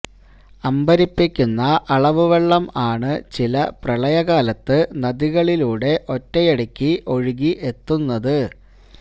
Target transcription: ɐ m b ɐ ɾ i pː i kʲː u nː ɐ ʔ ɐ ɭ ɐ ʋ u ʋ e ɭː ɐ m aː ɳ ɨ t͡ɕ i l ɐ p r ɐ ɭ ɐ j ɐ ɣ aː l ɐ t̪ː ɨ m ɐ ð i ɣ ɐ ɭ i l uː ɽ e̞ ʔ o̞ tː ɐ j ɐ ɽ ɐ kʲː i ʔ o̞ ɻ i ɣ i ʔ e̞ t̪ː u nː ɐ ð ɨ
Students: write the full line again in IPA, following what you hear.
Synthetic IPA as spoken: ɐ m b ɐ ɾ i pː i kʲː u nː ɐ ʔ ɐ ɭ ɐ ʋ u ʋ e ɭː ɐ m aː ɳ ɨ t͡ɕ i l ɐ p r ɐ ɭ ɐ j ɐ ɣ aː l ɐ t̪ː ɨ n ɐ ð i ɣ ɐ ɭ i l uː ɽ e̞ ʔ o̞ tː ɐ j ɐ ɽ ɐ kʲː i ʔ o̞ ɻ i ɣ i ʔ e̞ t̪ː u nː ɐ ð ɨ